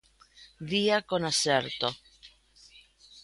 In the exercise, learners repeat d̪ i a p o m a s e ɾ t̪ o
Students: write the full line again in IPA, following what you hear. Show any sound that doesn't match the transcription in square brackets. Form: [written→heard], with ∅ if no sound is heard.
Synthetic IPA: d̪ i a [p→k] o [m→n] a s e ɾ t̪ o